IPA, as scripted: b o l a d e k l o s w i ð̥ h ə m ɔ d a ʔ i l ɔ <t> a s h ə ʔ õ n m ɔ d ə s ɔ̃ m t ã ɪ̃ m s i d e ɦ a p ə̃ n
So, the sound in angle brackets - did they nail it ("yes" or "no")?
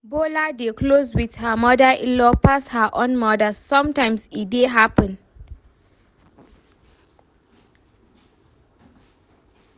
no